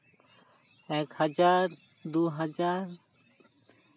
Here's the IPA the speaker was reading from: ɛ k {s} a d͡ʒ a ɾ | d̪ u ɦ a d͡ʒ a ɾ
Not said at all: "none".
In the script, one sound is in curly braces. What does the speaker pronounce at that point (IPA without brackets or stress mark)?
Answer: h